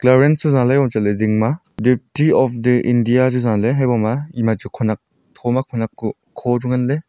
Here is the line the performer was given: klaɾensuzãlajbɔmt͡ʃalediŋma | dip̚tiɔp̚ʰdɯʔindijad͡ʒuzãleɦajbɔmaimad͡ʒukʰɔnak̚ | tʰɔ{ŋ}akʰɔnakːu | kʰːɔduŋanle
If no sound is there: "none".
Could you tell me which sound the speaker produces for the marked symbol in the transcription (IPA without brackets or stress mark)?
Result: m